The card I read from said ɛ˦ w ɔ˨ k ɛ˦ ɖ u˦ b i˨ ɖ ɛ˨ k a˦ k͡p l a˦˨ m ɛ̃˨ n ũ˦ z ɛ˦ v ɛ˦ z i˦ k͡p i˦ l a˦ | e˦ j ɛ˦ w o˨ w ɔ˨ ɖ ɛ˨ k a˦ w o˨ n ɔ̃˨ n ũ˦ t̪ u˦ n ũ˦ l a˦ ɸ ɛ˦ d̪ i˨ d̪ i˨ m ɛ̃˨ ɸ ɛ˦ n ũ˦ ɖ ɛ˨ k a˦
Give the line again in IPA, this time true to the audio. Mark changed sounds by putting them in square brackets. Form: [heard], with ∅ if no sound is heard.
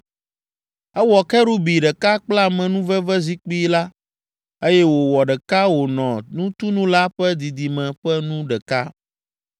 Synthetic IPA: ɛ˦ w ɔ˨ k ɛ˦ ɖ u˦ b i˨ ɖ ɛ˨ k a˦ k͡p l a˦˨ m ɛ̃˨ n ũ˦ [v] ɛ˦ v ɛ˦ z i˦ k͡p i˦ l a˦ | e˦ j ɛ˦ w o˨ w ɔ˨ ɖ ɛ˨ k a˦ w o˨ n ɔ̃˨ n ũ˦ t̪ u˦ n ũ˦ l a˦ ɸ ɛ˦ d̪ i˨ d̪ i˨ m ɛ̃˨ ɸ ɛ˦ n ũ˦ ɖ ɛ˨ k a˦